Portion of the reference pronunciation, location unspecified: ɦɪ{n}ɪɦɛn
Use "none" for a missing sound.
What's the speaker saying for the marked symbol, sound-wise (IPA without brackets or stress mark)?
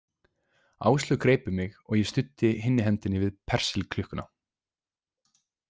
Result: nː